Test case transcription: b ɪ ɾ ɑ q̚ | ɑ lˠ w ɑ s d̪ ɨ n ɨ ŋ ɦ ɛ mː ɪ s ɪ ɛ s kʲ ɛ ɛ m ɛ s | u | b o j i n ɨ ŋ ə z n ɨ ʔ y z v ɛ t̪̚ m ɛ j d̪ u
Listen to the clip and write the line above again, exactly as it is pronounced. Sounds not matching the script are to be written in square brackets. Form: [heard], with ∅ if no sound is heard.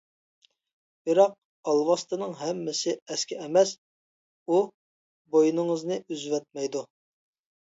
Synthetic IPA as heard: b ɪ ɾ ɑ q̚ | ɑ lˠ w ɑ s [t̪] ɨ n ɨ ŋ ɦ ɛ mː ɪ s ɪ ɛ s kʲ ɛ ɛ m ɛ s | u | b o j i n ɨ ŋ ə z n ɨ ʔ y z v ɛ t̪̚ m ɛ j d̪ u